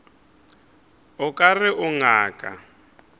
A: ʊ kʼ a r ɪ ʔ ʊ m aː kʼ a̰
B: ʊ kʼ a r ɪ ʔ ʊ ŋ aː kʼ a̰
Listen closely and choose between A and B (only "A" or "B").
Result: B